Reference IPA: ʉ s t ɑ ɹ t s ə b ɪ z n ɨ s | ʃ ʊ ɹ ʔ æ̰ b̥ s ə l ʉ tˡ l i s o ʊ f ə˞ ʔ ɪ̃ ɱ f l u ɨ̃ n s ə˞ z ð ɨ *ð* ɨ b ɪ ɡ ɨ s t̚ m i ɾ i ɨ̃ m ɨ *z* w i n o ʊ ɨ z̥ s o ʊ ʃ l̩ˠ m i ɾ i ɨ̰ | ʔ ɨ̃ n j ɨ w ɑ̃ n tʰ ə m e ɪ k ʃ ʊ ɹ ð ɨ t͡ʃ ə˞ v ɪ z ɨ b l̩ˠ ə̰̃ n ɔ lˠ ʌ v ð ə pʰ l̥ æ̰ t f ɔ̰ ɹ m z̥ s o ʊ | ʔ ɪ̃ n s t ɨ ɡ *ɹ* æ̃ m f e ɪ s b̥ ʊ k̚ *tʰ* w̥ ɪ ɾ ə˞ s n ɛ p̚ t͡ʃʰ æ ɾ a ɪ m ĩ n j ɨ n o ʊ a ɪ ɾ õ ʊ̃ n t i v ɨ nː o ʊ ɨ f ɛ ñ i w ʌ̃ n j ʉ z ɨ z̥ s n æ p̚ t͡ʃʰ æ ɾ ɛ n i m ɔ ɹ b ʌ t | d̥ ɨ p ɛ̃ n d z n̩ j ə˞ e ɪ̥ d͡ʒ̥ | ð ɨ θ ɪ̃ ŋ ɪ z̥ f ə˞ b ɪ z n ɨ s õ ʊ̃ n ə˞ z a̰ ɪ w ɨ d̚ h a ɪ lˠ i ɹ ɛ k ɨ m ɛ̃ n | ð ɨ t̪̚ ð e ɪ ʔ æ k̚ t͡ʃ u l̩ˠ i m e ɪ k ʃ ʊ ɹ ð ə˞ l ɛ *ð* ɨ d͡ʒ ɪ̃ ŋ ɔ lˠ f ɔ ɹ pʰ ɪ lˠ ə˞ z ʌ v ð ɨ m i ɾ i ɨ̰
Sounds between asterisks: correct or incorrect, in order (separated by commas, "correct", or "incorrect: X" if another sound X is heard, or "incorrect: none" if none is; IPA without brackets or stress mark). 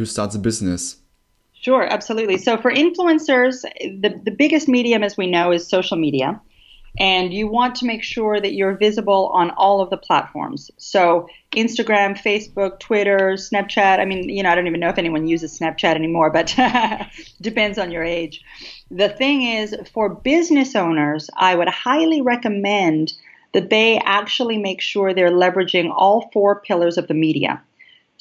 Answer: correct, correct, correct, correct, incorrect: v